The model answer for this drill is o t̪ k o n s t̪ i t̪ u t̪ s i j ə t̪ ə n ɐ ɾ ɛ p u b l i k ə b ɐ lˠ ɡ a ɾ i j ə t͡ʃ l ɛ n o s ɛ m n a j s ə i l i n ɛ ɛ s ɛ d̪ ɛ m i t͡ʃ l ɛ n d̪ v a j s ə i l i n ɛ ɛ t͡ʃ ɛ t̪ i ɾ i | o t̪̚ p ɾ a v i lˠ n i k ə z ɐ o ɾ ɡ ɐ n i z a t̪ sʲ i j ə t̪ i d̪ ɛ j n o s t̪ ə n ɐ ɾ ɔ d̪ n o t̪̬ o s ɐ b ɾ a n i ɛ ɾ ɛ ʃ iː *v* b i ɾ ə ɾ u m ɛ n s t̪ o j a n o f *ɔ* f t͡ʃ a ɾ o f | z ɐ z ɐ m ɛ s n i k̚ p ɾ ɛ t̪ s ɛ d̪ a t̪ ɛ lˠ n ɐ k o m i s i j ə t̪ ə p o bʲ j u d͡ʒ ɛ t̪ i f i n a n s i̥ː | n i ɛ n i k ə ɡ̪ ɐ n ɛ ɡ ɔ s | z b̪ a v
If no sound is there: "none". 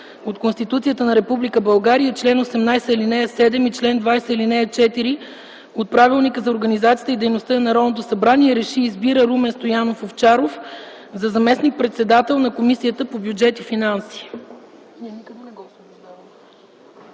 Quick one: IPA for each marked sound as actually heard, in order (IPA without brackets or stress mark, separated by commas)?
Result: z, o